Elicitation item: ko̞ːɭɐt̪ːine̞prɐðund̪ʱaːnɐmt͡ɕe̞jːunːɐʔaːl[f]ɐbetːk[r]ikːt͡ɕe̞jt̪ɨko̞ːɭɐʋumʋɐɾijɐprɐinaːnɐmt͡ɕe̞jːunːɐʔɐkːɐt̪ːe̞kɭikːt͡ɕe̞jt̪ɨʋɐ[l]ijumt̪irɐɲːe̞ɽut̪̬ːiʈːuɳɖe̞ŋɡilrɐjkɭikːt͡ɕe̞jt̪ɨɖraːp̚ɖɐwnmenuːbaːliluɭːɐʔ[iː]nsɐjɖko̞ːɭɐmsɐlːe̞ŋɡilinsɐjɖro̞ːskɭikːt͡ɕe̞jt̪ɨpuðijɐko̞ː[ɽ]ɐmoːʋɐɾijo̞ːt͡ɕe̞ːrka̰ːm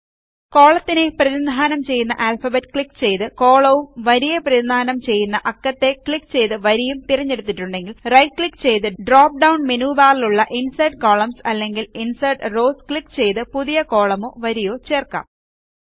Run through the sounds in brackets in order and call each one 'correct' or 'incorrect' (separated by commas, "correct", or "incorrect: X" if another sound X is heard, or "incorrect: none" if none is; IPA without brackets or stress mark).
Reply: correct, incorrect: ɭ, incorrect: ɾ, incorrect: i, incorrect: ɭ